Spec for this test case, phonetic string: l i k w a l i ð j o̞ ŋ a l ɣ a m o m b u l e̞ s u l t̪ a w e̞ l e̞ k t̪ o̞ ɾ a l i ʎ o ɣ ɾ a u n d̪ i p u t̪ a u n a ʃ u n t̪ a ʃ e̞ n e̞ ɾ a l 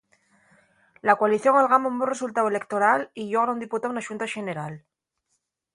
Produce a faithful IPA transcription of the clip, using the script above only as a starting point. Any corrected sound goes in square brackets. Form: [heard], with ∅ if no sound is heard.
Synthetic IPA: l [a] k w a l i [θ] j o̞ ŋ a l ɣ a m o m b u [r] e̞ s u l t̪ a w e̞ l e̞ k t̪ o̞ ɾ a l i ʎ o ɣ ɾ a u n d̪ i p u t̪ a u n a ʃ u n t̪ a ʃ e̞ n e̞ ɾ a l